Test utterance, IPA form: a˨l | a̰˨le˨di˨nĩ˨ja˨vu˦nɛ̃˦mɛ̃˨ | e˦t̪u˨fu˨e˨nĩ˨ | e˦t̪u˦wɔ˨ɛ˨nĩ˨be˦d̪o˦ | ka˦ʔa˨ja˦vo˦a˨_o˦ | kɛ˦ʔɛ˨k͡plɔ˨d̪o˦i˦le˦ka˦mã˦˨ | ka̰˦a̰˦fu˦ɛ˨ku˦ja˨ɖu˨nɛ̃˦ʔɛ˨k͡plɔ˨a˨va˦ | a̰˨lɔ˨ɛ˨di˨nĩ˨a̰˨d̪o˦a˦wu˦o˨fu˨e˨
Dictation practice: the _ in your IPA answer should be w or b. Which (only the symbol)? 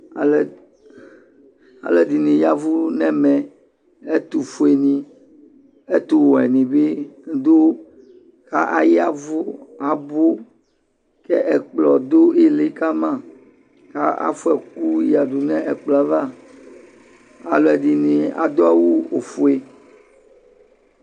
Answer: b